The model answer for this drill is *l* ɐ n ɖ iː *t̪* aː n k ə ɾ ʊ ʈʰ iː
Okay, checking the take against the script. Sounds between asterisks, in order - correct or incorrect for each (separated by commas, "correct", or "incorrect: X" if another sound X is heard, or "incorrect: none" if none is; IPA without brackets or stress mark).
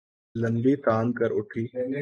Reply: correct, correct